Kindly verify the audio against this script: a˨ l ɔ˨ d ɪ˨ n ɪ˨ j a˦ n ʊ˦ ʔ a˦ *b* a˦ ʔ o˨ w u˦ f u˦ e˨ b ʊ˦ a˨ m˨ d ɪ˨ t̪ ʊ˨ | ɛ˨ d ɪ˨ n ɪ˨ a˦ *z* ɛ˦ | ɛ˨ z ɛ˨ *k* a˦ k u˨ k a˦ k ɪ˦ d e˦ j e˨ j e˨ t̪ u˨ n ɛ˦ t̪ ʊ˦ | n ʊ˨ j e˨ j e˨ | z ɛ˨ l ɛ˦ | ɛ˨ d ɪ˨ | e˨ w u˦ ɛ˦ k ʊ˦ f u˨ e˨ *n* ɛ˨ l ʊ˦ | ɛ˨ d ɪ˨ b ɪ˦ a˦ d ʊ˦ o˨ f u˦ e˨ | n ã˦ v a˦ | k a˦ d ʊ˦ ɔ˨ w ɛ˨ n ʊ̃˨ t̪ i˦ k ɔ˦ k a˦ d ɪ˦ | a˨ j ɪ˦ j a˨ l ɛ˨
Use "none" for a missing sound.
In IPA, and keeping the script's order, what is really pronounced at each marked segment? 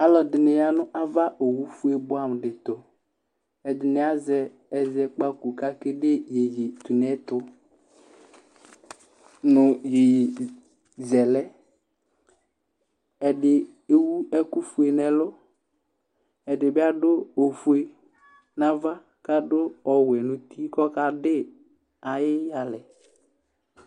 v, z, k͡p, n

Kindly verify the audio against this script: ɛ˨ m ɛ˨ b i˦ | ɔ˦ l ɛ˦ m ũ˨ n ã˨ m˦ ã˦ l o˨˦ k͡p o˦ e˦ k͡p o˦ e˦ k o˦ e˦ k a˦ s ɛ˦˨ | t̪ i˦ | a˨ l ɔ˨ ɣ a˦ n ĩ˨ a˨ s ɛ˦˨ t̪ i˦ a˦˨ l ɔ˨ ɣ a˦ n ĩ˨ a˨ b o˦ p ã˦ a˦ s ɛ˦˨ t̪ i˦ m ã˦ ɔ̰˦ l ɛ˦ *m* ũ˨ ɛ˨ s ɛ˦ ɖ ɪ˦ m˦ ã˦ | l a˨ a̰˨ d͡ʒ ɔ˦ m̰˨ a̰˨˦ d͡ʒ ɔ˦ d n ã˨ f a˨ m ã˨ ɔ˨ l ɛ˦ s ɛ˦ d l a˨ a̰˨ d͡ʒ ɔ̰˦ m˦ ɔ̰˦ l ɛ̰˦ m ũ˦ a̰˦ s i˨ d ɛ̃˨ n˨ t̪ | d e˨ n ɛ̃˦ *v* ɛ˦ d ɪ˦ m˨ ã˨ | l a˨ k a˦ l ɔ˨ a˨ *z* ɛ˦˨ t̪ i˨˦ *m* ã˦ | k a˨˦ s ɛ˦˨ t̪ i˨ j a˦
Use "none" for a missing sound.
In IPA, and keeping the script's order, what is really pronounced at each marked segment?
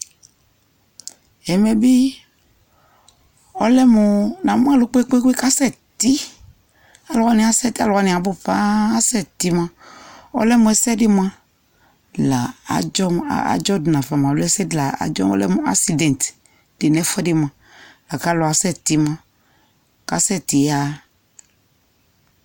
m, f, s, m

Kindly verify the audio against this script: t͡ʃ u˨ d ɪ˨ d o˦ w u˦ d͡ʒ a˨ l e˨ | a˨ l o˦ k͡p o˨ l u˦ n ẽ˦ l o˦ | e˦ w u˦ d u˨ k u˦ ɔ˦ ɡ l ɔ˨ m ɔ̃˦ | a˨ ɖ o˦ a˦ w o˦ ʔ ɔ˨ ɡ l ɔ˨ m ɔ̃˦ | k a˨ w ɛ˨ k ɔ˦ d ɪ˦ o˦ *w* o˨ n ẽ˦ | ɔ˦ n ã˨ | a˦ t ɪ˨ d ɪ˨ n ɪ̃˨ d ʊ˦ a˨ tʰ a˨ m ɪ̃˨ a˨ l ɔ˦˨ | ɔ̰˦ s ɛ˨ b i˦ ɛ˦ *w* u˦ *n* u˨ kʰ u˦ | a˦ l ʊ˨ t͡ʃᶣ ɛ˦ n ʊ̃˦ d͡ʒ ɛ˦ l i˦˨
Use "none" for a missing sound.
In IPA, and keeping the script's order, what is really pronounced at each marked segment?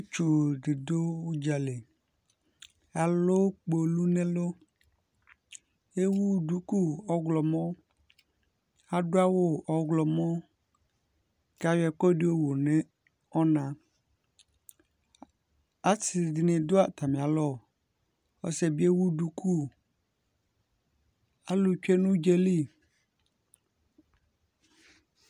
w, w, d

